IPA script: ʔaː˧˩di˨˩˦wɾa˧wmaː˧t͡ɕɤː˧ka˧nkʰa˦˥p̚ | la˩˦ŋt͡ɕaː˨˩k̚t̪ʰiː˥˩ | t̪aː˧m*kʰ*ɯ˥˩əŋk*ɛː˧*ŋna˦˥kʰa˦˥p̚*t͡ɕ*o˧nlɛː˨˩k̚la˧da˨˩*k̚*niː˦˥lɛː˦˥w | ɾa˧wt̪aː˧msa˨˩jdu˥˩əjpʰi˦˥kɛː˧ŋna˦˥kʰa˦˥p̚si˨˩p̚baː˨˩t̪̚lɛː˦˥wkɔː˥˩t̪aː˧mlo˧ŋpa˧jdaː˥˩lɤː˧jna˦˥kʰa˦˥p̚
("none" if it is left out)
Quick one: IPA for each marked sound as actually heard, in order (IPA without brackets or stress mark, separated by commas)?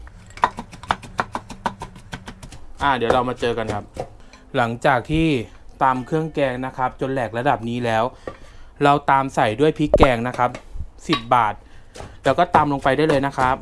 kʰ, ɛː˧, t͡ɕ, p̚